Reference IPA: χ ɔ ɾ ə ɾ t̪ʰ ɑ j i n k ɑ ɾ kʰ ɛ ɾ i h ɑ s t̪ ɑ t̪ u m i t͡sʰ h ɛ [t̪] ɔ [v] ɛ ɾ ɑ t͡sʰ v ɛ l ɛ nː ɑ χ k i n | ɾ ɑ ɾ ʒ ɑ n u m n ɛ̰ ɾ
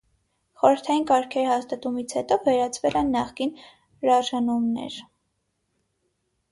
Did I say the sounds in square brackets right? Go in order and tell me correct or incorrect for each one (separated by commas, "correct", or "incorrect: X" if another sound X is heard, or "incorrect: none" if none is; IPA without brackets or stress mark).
correct, correct